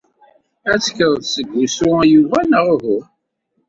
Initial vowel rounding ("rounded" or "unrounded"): unrounded